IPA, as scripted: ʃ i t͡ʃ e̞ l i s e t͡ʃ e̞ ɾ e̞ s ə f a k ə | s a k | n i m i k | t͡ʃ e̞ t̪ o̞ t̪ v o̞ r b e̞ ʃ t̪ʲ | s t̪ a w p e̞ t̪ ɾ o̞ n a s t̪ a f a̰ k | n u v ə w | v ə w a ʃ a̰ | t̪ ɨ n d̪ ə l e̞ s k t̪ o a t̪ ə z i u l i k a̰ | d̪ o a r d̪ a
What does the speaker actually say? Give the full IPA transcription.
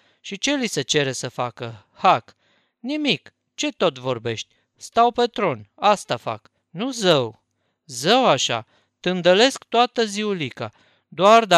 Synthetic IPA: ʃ i t͡ʃ e̞ l i s e t͡ʃ e̞ ɾ e̞ s ə f a k ə | h a k | n i m i k | t͡ʃ e̞ t̪ o̞ t̪ v o̞ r b e̞ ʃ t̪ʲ | s t̪ a w p e̞ t̪ ɾ o̞ n a s t̪ a f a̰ k | n u z ə w | z ə w a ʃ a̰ | t̪ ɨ n d̪ ə l e̞ s k t̪ o a t̪ ə z i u l i k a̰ | d̪ o a r d̪ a